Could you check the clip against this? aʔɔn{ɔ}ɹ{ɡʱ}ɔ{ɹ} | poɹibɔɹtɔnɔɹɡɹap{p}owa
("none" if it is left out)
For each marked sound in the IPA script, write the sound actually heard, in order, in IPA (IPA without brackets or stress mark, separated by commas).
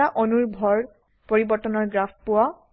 u, bʱ, ɹ, p